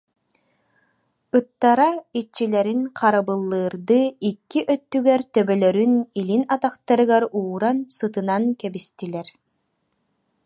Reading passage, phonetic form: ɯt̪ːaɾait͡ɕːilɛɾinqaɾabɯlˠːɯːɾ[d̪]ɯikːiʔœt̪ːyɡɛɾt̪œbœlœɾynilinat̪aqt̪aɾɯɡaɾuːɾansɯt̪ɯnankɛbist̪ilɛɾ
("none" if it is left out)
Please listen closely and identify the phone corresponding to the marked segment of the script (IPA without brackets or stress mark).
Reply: d̪